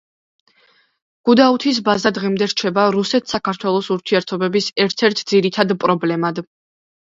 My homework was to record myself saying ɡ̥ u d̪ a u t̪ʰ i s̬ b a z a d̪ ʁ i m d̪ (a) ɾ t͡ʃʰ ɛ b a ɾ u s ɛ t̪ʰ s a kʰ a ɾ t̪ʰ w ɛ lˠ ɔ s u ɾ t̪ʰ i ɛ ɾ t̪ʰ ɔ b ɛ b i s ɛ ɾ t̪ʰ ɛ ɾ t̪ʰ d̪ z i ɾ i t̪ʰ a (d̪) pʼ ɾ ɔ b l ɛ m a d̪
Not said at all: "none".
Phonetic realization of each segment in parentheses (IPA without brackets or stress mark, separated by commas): ɛ, d̪